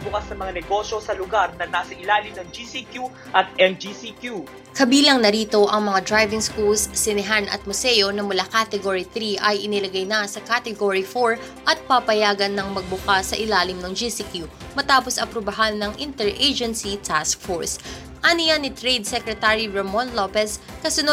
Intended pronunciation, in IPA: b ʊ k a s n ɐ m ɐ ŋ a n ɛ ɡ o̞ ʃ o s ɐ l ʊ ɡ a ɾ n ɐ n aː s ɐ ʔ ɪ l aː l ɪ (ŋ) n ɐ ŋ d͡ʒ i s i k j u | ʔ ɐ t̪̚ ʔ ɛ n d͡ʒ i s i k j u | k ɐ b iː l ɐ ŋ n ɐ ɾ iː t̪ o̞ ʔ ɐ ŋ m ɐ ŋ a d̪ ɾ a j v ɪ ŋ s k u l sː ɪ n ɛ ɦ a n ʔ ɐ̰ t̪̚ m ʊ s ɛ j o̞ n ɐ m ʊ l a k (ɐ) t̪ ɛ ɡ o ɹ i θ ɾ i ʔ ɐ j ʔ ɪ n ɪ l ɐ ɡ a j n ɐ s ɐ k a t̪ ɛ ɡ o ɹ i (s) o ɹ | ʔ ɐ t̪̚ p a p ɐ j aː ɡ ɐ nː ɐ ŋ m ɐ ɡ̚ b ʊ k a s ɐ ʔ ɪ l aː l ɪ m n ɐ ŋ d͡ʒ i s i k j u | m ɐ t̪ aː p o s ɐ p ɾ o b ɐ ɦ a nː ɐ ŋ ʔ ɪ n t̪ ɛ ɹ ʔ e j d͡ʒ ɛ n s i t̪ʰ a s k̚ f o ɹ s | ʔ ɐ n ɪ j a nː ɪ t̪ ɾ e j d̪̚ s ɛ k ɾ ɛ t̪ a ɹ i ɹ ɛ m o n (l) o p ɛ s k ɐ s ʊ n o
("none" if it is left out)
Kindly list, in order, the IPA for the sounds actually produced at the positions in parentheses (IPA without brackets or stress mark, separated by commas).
m, a, f, l